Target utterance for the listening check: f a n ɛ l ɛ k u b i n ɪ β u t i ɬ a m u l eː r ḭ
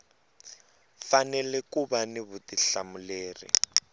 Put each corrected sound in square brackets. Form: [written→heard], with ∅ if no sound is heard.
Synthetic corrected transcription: f a n ɛ l ɛ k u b [i→a] n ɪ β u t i ɬ a m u l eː r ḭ